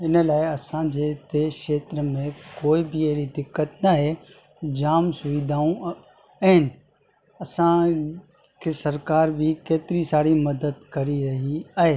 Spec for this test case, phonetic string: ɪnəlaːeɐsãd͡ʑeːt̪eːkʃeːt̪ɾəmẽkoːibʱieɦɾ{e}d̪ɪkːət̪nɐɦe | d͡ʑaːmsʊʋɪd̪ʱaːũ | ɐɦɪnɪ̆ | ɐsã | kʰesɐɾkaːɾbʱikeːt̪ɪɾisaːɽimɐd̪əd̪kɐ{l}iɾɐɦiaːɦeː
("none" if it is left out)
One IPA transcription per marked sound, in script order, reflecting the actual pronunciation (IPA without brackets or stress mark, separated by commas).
i, ɾ